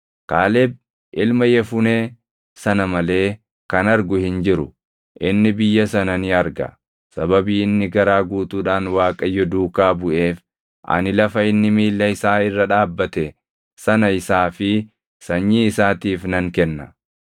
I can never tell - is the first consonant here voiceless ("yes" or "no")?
yes